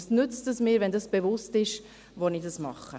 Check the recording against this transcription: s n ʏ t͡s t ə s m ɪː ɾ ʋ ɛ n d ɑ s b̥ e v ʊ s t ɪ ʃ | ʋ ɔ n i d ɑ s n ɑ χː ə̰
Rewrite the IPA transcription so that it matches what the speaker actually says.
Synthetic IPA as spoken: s n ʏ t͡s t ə s m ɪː ɾ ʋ ɛ n d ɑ s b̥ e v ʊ s t ɪ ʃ | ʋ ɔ n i d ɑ s m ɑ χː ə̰